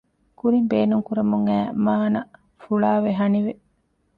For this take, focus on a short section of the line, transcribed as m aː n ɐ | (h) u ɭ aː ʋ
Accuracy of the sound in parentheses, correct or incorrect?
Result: incorrect